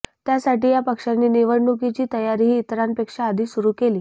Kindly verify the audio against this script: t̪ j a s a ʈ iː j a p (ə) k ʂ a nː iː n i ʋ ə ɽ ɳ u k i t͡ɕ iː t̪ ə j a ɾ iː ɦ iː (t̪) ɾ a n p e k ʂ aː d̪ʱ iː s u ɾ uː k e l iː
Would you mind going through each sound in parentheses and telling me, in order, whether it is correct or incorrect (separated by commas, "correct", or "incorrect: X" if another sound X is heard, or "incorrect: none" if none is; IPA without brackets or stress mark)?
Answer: correct, correct